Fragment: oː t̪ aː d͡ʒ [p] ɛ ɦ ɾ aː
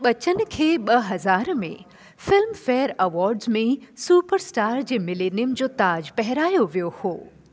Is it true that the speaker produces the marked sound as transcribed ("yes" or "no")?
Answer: yes